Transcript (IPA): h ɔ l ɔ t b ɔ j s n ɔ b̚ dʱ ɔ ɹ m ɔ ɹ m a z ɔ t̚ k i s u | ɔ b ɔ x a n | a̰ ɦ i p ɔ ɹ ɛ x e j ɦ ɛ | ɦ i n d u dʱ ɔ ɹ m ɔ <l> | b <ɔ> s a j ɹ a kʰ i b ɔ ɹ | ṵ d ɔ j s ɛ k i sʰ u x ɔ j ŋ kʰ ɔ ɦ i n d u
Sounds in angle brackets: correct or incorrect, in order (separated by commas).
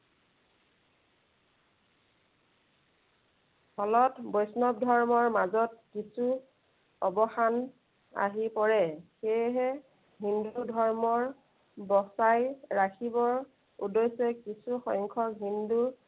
incorrect, correct